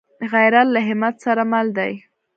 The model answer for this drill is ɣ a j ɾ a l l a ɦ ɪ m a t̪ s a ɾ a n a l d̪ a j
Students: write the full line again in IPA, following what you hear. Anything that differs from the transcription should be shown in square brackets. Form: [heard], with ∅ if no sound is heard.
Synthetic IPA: ɣ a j ɾ a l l a ɦ ɪ m a t̪ s a ɾ a [m] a l d̪ a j

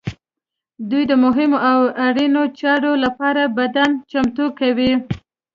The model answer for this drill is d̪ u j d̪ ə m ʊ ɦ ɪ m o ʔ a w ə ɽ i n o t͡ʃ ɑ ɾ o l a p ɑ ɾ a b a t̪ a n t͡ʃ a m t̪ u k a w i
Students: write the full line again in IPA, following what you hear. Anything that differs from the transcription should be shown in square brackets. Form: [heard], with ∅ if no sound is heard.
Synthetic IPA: d̪ u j d̪ ə m ʊ ɦ ɪ m o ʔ a w [a] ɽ i n o t͡ʃ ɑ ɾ o l a p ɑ ɾ a b a [d̪] a n t͡ʃ a m t̪ u k a w i

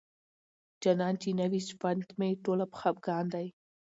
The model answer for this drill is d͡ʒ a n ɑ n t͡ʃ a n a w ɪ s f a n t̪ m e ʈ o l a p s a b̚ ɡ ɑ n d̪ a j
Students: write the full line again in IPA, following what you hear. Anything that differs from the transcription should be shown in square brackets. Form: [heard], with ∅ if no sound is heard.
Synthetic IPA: d͡ʒ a n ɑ n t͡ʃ [i] n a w [i] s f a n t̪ m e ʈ o l a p [x] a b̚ ɡ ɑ n d̪ a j

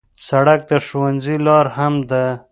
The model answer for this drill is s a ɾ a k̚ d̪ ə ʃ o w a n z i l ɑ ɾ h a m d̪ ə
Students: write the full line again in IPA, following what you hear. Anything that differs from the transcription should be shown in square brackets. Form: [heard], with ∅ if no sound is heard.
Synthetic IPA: s a [ɽ] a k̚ d̪ ə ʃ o w a n z i l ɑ ɾ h a m d̪ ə

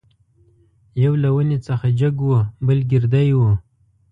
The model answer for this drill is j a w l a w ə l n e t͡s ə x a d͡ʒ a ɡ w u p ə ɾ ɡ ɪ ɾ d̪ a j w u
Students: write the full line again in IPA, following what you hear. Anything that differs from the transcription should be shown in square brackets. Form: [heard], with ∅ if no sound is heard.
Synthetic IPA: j a w l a w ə [∅] n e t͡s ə x a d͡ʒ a ɡ w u [b] ə [l] ɡ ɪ ɾ d̪ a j w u

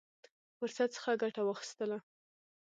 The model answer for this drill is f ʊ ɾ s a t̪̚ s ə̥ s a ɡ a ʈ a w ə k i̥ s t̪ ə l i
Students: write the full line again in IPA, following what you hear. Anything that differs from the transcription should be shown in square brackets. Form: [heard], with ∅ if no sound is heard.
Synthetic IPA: f ʊ ɾ s a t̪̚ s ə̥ [x] a ɡ a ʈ a w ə [x] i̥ s t̪ ə l [a]

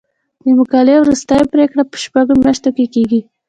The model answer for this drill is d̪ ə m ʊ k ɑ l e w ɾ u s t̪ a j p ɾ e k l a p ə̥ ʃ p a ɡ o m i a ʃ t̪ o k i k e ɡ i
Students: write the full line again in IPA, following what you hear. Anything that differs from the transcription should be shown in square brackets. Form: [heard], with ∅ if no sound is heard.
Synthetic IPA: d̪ ə m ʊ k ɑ l e w ɾ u s t̪ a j p ɾ e k [ɽ] a p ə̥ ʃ p a ɡ o m [j] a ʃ t̪ o k [e] k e ɡ i

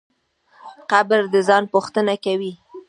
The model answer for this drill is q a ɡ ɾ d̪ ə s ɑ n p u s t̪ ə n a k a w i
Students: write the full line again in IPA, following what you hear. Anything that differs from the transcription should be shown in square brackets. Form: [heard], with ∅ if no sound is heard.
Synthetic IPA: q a [b] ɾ d̪ ə [z] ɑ n p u [x] t̪ ə n a k a w i

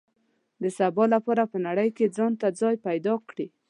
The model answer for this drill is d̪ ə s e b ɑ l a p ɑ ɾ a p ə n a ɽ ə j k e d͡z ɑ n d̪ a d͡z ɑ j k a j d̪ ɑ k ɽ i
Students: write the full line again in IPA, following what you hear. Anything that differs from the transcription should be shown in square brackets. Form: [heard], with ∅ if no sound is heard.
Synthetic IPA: d̪ ə s [a] b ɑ l a p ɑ ɾ a p ə n a ɽ ə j k e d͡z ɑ n [t̪] a d͡z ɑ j [p] a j d̪ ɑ k ɽ i

